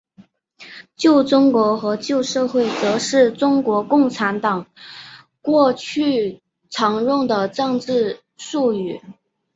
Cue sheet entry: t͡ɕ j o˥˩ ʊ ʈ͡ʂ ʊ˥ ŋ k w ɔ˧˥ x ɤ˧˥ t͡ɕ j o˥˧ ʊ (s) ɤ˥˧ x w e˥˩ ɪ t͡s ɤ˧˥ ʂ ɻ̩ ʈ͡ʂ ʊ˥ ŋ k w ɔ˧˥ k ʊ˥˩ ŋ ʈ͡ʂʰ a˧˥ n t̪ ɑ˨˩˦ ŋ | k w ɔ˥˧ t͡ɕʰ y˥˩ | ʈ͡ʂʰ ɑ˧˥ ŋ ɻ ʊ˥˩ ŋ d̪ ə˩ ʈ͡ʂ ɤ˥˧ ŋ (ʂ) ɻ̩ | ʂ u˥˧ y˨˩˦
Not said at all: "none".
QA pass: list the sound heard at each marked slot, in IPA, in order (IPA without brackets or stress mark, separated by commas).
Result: ʂ, ʈ͡ʂ